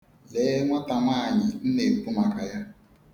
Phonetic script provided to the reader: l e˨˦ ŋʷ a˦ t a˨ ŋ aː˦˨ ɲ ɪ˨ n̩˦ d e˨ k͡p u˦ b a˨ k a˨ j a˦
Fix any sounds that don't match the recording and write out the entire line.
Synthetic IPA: l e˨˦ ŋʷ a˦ t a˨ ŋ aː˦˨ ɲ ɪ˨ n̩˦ n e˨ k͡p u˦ m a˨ k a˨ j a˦

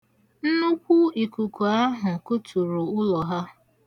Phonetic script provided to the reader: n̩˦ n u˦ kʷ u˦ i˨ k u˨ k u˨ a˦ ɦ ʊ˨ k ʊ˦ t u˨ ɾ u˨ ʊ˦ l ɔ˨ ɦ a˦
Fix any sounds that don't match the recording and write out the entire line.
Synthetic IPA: n̩˦ n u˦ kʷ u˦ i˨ k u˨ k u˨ a˦ ɦ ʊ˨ k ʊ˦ t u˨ ɾ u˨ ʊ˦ l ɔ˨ ɦ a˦

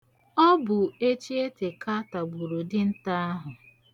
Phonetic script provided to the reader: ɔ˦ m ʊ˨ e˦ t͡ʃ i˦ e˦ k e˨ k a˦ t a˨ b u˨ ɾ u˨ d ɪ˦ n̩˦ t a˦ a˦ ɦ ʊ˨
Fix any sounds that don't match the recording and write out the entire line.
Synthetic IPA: ɔ˦ b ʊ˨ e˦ t͡ʃ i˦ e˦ t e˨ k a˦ t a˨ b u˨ ɾ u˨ d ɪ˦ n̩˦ t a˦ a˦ ɦ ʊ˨

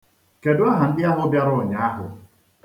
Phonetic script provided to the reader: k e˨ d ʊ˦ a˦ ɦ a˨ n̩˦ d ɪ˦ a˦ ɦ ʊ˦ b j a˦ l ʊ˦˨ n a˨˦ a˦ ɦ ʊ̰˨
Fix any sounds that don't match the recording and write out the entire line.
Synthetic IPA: k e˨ d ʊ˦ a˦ ɦ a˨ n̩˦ d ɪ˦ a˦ ɦ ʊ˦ b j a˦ ɾ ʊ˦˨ ɲ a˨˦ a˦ ɦ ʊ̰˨

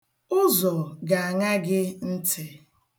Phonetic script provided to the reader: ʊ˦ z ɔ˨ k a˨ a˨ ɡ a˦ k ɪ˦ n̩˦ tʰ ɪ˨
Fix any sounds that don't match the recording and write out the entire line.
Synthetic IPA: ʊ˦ z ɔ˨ ɡ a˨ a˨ ŋ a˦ ɡ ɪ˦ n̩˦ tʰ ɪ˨

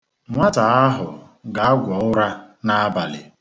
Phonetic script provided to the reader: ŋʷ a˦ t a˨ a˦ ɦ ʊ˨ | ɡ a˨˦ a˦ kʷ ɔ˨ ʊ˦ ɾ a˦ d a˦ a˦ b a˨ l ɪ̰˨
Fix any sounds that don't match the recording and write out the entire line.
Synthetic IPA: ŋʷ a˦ t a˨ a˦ ɦ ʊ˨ | ɡ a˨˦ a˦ ɡʷ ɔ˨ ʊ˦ ɾ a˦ n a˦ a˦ b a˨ l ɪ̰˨

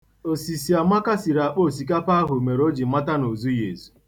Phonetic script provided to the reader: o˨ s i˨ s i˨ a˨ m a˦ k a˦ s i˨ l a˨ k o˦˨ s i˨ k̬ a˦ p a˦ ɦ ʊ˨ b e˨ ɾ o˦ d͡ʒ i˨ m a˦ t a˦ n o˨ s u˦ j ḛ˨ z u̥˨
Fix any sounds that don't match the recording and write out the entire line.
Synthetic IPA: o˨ s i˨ s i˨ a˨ m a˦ k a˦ s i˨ ɾ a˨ k͡p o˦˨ s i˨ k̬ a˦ p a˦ ɦ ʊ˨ m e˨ ɾ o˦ d͡ʒ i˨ m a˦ t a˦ n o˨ z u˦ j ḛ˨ z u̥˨

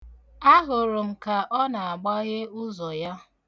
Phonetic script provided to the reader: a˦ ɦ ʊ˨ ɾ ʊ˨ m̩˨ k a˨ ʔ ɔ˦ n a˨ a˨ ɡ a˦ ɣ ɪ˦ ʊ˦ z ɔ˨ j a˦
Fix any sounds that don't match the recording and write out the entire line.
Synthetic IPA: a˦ ɦ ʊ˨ ɾ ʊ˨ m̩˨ k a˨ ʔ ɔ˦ n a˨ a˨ ɡ͡b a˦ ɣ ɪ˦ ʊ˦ z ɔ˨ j a˦

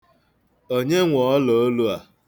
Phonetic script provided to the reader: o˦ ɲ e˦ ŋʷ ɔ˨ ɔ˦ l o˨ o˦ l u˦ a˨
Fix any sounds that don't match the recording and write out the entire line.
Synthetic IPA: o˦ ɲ e˦ ŋʷ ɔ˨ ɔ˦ l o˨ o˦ l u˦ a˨

